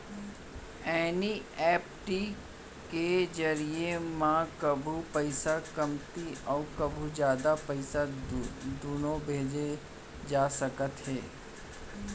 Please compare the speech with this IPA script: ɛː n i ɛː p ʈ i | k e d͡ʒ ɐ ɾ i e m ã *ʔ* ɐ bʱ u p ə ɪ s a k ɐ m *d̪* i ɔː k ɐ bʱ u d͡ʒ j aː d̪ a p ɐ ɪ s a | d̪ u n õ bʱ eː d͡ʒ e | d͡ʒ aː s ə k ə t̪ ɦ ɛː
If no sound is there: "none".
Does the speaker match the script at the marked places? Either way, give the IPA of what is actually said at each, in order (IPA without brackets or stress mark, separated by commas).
k, t̪